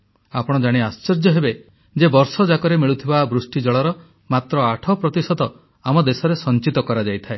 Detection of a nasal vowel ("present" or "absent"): absent